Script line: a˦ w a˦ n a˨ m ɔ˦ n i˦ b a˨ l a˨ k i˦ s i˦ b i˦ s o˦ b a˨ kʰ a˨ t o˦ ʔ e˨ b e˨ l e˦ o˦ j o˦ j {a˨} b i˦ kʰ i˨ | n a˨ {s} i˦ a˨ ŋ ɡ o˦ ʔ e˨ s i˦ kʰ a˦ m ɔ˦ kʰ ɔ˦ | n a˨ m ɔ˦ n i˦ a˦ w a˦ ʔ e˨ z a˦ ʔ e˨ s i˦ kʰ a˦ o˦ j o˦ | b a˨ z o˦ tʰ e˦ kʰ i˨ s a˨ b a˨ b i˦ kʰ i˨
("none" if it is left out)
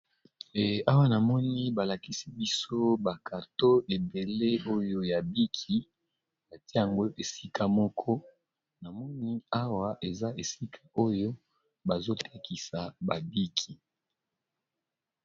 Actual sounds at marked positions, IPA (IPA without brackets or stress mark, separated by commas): a˨, t